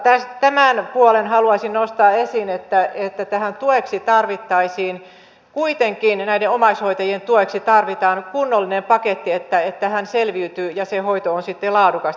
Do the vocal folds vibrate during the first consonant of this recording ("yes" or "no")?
no